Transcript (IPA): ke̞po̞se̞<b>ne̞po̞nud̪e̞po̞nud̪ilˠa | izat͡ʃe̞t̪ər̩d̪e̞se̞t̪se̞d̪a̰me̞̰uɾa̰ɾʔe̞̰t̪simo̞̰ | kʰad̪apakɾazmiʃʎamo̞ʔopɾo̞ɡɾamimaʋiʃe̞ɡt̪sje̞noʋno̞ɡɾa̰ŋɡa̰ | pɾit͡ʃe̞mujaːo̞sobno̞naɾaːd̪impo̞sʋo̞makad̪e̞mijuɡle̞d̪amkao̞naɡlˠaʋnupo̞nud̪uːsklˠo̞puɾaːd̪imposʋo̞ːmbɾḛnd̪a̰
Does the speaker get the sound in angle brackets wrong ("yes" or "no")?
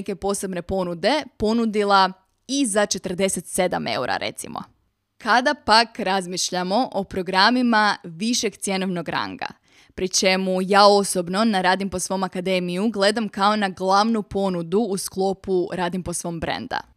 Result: no